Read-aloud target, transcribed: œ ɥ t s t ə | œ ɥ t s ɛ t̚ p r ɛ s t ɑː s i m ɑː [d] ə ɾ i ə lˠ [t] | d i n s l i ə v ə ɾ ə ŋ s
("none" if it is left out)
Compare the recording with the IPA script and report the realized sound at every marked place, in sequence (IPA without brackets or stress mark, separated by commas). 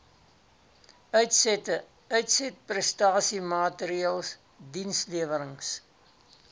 t, s